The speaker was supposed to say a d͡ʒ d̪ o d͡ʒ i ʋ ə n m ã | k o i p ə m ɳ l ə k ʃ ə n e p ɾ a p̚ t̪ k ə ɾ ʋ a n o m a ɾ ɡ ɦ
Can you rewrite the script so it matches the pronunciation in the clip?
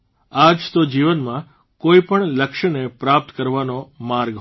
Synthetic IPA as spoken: a d͡ʒ t̪ o d͡ʒ i ʋ ə n m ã | k o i p ə ɳ l ə k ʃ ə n e p ɾ a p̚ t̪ k ə ɾ ʋ a n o m a ɾ ɡ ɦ